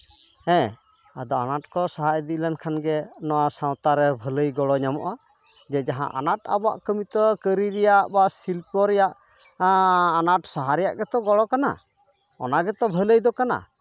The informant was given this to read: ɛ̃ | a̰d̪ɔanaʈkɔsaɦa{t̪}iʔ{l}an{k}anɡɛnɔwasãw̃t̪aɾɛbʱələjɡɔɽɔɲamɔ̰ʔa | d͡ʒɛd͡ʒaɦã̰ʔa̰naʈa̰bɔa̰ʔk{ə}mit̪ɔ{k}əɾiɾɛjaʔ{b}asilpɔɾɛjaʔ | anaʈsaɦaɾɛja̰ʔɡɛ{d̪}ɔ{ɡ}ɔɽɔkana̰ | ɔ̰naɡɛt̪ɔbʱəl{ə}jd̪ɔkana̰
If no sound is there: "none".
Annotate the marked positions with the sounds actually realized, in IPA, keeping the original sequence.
d̪, l, kʰ, ə, k, b, t̪, ɡ, ə

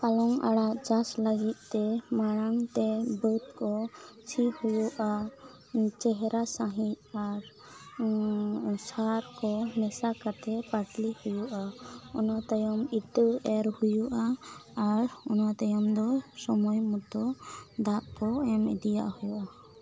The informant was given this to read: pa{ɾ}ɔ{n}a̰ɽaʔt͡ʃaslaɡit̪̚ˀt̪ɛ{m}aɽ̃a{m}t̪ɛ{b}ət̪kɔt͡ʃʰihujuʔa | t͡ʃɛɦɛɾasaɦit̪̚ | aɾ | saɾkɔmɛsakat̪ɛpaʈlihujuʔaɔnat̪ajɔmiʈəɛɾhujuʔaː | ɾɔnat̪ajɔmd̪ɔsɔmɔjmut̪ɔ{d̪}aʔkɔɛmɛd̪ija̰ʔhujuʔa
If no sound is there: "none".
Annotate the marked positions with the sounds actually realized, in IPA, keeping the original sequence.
l, ŋ, m, ŋ, b, d̪

